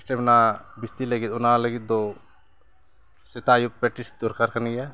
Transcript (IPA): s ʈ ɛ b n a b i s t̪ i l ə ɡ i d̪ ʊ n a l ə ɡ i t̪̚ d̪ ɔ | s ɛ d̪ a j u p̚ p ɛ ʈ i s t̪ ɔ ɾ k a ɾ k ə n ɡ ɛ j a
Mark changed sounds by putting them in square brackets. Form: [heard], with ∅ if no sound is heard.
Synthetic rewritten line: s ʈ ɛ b n a b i s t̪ i l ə ɡ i [t̪] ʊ n a l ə ɡ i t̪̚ d̪ ɔ | s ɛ [t̪] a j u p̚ p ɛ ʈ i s [d̪] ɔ ɾ k a ɾ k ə n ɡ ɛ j a